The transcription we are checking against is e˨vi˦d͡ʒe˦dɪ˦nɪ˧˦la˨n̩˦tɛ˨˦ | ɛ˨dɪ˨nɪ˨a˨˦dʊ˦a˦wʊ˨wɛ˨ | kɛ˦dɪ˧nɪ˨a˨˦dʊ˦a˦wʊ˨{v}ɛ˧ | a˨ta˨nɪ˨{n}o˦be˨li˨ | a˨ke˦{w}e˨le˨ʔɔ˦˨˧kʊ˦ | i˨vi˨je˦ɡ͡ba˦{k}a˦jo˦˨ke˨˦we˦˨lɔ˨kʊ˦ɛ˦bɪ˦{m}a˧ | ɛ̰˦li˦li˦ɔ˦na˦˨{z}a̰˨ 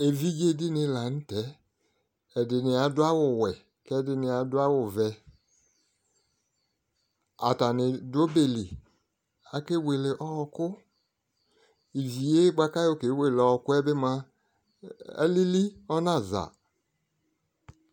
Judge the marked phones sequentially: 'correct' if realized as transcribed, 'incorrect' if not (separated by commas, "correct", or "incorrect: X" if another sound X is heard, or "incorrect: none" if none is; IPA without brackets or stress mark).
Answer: correct, incorrect: d, correct, correct, correct, correct